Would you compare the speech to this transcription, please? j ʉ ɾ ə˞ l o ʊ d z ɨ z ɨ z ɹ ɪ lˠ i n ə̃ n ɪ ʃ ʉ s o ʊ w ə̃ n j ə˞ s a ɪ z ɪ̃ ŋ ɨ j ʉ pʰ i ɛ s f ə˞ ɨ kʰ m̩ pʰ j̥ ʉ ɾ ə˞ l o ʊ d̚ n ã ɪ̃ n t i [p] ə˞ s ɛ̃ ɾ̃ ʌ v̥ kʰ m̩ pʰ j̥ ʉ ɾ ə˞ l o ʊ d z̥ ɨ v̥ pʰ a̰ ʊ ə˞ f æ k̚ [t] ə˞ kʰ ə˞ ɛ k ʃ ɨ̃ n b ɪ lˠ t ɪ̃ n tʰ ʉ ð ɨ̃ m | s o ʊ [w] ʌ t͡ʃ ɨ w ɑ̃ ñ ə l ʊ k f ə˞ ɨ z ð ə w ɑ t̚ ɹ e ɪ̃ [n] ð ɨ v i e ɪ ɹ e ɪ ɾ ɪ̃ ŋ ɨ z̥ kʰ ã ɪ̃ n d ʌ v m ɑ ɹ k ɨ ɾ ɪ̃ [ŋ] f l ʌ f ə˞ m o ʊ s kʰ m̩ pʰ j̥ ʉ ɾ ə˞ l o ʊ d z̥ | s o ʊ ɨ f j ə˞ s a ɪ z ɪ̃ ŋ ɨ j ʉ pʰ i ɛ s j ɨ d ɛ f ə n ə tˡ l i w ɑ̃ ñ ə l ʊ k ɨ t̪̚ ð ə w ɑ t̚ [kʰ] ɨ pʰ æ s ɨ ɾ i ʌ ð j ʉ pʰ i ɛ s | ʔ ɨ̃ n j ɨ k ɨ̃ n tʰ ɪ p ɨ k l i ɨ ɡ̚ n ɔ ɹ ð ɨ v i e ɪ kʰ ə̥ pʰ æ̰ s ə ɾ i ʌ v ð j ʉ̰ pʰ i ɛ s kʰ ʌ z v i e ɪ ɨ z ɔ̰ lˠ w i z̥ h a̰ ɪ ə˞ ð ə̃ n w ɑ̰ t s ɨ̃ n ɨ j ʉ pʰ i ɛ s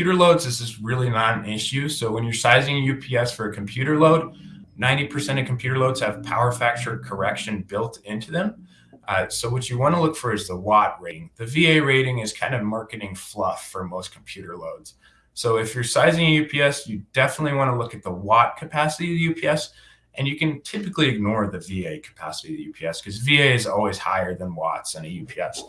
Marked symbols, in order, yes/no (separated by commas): no, no, yes, no, yes, yes